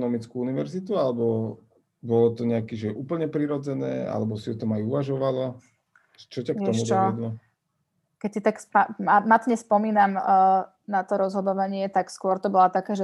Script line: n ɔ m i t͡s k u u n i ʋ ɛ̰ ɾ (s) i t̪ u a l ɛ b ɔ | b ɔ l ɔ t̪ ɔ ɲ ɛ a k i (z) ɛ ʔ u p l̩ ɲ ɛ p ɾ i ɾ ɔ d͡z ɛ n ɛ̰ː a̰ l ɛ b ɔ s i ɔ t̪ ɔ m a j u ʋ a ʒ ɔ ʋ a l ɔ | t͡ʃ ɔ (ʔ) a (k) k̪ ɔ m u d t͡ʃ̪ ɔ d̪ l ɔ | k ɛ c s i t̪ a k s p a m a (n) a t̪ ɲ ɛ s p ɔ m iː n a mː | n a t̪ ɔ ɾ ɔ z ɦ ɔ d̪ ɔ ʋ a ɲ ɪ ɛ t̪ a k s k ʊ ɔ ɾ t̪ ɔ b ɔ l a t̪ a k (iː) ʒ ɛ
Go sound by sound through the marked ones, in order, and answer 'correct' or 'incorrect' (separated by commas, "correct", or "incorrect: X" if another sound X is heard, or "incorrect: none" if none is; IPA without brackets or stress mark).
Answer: incorrect: z, incorrect: ʒ, incorrect: c, correct, incorrect: m, incorrect: aː